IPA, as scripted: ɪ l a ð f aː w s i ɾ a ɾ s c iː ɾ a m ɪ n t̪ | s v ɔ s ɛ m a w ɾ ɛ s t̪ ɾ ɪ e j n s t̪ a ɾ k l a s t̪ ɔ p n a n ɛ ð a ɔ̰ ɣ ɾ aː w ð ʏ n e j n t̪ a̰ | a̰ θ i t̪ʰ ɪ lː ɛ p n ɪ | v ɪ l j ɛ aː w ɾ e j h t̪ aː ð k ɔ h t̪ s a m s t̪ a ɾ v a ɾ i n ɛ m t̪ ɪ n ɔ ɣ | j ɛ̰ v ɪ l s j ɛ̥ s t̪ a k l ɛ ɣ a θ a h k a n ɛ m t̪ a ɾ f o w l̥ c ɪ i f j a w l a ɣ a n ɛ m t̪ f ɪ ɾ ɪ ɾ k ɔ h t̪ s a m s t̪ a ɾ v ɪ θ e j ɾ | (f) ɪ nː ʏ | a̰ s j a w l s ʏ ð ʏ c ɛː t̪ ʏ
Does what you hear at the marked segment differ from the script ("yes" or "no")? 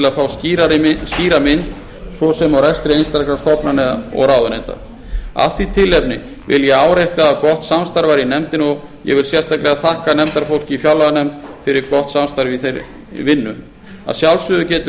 yes